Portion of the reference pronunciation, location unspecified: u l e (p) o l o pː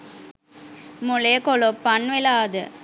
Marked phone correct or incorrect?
incorrect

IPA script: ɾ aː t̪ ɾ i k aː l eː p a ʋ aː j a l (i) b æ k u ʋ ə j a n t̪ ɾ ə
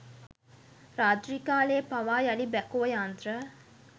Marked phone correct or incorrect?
correct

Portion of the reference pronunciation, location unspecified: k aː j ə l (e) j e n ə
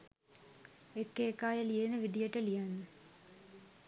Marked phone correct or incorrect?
incorrect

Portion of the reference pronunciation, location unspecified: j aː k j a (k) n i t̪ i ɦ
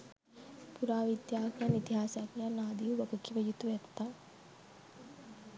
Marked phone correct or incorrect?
incorrect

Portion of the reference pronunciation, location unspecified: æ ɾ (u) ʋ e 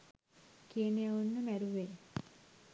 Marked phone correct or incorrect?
correct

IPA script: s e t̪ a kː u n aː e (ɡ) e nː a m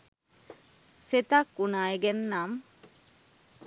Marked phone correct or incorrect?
correct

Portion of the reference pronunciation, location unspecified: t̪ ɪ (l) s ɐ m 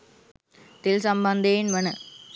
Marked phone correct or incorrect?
correct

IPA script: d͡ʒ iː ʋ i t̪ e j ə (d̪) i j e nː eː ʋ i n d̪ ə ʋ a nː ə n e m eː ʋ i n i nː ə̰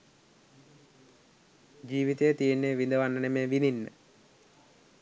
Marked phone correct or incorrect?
incorrect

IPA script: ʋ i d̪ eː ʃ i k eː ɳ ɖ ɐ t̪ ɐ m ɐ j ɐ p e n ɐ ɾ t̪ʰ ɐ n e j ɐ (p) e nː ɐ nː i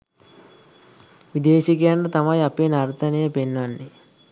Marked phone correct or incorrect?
correct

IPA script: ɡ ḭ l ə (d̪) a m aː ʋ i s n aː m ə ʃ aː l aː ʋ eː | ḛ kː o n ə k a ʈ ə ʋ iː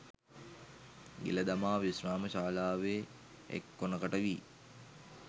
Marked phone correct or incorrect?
correct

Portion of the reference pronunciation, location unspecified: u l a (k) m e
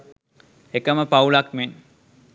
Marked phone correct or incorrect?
correct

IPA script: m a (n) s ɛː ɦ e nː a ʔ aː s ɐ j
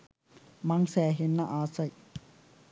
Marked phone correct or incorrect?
incorrect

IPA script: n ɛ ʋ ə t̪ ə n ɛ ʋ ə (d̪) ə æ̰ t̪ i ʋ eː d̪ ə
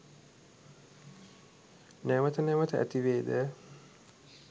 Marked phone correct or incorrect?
incorrect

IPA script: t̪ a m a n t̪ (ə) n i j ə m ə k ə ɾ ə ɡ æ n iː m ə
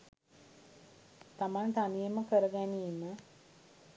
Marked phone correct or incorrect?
incorrect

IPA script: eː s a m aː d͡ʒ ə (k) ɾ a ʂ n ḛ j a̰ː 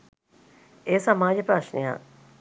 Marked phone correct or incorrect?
incorrect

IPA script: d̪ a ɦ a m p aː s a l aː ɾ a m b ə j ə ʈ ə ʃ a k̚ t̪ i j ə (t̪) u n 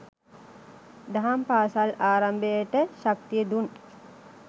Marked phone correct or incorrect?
incorrect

